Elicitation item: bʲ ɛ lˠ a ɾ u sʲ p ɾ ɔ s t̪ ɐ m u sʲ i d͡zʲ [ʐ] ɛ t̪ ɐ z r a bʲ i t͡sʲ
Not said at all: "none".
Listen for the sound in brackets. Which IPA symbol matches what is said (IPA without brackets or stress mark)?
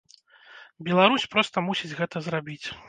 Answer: ɣ